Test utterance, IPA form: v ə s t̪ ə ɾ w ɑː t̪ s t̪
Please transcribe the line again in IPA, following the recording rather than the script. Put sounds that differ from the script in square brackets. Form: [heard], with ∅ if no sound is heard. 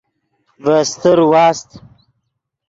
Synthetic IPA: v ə s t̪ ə ɾ w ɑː [∅] s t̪